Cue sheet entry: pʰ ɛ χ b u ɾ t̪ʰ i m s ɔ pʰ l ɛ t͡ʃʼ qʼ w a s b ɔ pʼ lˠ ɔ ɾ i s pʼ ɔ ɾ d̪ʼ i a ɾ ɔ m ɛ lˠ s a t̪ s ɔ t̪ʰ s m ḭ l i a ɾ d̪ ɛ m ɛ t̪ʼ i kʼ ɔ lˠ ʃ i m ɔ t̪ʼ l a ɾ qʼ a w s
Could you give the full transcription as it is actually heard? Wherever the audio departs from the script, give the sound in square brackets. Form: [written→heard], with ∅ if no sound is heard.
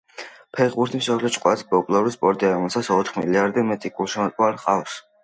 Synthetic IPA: pʰ ɛ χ b u ɾ t̪ʰ i m s ɔ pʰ l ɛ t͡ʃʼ qʼ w a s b ɔ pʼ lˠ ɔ ɾ i s pʼ ɔ ɾ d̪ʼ i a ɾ ɔ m ɛ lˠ s a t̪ s ɔ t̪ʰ [s→χ] m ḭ l i a ɾ d̪ ɛ m ɛ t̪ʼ i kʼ [ɔ→u] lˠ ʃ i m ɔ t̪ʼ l a ɾ qʼ a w s